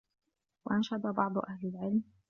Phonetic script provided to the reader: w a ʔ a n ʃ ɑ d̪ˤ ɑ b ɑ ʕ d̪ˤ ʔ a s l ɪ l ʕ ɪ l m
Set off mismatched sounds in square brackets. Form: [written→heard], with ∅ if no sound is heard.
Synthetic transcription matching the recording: w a ʔ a n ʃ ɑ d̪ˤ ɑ b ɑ ʕ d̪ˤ ʔ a [s→h] l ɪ l ʕ ɪ l m